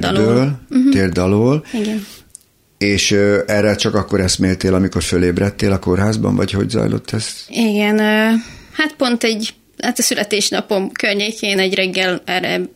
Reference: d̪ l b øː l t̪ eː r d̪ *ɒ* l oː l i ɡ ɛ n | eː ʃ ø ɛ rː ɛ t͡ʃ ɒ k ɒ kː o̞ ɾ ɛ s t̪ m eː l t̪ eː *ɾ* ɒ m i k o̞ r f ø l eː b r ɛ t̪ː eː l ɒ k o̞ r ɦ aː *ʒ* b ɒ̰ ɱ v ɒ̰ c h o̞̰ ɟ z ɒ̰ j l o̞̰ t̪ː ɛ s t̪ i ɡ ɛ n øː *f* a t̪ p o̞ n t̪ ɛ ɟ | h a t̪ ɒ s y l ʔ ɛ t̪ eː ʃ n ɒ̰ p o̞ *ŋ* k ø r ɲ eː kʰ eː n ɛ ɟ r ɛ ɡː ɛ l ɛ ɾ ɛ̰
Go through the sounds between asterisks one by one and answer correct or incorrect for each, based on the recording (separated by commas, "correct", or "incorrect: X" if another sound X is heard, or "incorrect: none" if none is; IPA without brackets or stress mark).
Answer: correct, incorrect: l, incorrect: z, incorrect: h, incorrect: m